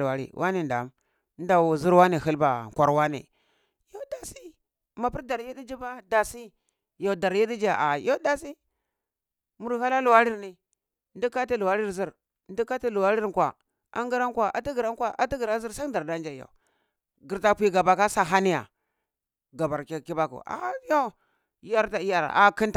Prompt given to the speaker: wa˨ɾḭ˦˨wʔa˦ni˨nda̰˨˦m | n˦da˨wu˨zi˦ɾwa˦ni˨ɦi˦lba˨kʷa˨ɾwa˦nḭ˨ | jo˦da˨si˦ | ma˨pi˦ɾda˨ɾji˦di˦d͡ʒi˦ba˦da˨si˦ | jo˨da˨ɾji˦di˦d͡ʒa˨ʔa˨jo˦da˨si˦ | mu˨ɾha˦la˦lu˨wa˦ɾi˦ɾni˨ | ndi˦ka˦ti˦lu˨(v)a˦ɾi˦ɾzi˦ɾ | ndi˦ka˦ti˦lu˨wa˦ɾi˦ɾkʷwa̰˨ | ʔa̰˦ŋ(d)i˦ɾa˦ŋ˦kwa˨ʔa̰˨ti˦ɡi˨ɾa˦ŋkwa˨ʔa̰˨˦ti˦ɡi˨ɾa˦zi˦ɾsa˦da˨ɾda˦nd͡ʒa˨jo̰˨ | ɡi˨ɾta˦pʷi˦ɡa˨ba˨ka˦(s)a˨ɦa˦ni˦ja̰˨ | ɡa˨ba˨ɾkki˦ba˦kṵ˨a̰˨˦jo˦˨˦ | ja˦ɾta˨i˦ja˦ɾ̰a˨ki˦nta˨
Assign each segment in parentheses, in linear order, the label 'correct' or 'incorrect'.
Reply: incorrect, incorrect, correct

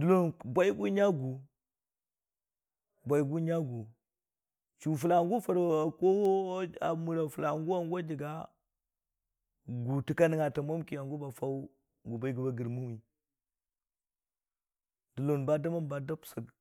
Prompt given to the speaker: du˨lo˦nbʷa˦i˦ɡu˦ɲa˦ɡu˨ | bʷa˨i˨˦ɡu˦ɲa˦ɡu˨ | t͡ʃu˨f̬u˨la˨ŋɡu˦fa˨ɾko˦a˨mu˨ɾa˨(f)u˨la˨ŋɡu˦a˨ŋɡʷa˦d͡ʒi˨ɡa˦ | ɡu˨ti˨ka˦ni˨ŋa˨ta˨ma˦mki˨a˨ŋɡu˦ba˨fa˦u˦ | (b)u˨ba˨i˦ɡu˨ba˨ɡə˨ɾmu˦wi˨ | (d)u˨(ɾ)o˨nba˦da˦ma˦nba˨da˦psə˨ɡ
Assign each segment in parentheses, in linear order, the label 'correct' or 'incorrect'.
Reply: correct, incorrect, correct, incorrect

